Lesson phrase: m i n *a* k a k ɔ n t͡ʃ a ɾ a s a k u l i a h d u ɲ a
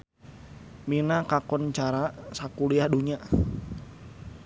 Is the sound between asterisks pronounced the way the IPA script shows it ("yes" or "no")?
yes